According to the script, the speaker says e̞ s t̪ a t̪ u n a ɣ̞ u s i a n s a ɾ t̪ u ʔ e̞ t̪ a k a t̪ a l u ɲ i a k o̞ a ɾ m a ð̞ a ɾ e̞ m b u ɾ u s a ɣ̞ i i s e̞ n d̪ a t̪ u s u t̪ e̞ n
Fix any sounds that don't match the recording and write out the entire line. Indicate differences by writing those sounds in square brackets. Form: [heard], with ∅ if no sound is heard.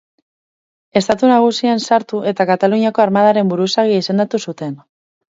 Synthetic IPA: e̞ s t̪ a t̪ u n a ɣ̞ u s i a n s a ɾ t̪ u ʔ e̞ t̪ a k a t̪ a l u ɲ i a k o̞ a ɾ m a ð̞ a ɾ e̞ m b u ɾ u s a ɣ̞ i i s e̞ n d̪ a t̪ u s u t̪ e̞ n